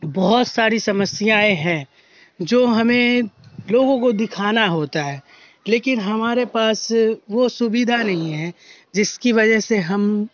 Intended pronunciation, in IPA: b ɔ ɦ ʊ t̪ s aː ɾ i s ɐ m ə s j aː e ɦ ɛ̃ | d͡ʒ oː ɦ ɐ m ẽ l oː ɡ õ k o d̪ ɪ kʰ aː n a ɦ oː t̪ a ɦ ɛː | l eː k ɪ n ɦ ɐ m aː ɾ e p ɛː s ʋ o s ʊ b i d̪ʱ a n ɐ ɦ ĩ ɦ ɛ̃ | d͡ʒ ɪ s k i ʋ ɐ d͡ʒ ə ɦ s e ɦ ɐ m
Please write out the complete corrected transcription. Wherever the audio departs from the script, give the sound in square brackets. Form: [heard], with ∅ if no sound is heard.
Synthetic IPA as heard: b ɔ ɦ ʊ t̪ s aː ɾ i s ɐ m ə s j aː e ɦ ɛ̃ | d͡ʒ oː ɦ ɐ m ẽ l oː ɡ õ k o d̪ ɪ kʰ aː n a ɦ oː t̪ a ɦ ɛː | l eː k ɪ n ɦ ɐ m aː ɾ e p [aː] s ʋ o s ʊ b i d̪ʱ a n ɐ ɦ ĩ ɦ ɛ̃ | d͡ʒ ɪ s k i ʋ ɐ d͡ʒ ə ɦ s e ɦ ɐ m